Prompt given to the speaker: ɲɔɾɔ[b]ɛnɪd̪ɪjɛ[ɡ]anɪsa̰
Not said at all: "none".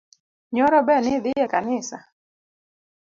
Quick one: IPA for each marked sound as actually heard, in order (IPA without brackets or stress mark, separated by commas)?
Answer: b, k